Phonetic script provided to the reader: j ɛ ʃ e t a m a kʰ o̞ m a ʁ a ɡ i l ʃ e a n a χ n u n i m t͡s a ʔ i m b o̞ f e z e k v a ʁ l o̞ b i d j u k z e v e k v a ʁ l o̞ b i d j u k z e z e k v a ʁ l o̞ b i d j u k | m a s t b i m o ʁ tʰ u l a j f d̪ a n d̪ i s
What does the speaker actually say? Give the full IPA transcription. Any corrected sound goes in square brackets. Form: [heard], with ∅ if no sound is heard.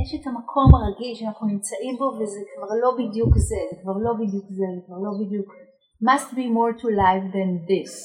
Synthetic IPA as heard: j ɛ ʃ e t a m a kʰ o̞ m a ʁ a ɡ i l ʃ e a n a χ n u n i m t͡s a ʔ i m b o̞ [v] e z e k v a ʁ l o̞ b i d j u k z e [z] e k v a ʁ l o̞ b i d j u k z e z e k v a ʁ l o̞ b i d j u k | m a s t b i m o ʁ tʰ u l a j f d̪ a n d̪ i s